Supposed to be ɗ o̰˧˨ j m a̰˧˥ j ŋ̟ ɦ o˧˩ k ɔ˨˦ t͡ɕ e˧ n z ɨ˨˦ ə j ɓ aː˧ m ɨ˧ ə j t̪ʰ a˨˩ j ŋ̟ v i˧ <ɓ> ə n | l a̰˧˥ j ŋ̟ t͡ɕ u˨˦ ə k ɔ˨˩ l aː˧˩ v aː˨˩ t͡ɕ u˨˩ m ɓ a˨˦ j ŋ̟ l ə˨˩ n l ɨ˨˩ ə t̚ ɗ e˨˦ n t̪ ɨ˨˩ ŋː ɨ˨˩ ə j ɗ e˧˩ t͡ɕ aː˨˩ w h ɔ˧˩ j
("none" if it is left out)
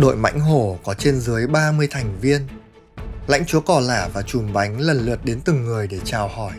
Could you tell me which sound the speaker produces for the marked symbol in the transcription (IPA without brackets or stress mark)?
none